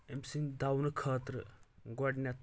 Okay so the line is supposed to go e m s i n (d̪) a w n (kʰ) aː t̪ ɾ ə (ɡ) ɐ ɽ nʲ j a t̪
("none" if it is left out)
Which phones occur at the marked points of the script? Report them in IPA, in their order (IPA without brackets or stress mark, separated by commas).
d̪, kʰ, ɡ